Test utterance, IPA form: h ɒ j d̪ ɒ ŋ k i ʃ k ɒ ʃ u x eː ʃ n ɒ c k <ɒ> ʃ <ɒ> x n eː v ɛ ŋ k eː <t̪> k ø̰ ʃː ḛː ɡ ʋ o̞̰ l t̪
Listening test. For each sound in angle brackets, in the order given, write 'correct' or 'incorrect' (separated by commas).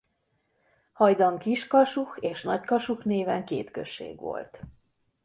correct, incorrect, correct